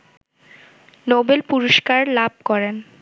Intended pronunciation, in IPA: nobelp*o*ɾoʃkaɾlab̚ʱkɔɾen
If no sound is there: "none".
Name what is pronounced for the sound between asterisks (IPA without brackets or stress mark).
u